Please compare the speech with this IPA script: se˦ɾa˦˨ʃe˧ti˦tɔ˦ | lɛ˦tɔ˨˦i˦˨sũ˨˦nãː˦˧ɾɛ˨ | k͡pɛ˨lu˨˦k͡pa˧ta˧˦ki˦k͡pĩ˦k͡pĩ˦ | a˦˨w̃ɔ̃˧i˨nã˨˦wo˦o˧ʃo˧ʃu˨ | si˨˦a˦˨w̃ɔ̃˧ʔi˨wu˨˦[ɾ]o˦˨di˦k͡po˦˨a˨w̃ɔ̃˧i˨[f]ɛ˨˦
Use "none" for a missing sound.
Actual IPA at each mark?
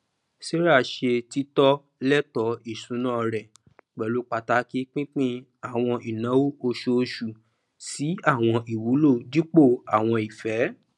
l, f

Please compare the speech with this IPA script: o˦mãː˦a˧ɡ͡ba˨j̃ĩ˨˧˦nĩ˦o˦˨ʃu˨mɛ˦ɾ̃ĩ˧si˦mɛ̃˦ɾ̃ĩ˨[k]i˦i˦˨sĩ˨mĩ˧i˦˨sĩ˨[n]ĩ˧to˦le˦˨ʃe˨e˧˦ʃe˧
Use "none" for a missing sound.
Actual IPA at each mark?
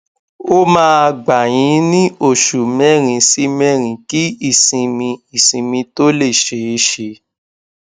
k, m

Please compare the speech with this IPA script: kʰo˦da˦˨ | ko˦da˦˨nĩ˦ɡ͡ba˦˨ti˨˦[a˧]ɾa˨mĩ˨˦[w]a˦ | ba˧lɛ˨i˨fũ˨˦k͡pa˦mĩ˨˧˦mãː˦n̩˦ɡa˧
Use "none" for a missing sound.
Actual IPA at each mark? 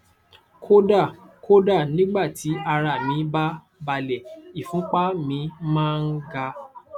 a˧, b

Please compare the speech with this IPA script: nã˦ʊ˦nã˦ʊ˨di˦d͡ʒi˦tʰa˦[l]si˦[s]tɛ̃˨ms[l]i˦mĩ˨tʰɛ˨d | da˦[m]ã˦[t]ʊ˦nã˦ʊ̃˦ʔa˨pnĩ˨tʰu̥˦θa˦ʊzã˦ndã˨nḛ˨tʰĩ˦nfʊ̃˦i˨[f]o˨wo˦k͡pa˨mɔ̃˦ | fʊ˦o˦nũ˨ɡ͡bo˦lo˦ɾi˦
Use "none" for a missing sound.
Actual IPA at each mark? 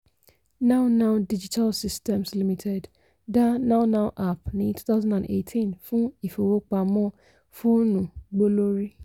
l, s, l, n, none, f

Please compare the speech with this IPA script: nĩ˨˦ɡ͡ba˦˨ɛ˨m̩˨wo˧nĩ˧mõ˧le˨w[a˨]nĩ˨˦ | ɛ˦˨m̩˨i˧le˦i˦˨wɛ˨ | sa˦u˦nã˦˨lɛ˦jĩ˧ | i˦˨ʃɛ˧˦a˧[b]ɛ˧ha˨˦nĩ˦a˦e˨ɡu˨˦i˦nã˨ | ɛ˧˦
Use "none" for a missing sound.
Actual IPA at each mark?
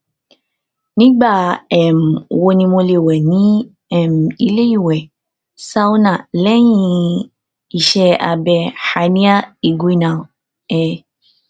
ɛ˨, b

